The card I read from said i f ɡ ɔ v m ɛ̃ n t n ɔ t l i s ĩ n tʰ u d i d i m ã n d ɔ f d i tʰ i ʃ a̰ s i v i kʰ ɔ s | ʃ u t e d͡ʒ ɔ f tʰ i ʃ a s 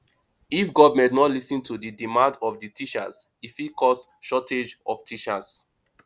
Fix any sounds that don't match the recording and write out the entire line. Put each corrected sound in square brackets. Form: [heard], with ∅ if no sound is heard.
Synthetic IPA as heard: i f ɡ ɔ v m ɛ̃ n t n ɔ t l i s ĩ n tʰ u d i d i m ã n d ɔ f d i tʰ i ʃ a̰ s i [f] i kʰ ɔ s | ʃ [ɔ] t e d͡ʒ ɔ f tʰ i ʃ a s